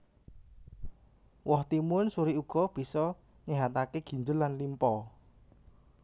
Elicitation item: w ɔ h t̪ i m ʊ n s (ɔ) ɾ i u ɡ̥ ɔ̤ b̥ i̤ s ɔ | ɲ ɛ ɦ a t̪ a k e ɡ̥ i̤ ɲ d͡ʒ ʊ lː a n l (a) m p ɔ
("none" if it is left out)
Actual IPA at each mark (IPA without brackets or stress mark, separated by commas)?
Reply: u, i